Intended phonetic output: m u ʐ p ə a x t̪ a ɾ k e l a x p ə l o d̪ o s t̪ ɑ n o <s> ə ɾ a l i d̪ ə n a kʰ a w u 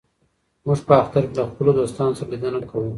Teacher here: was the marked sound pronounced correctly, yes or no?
yes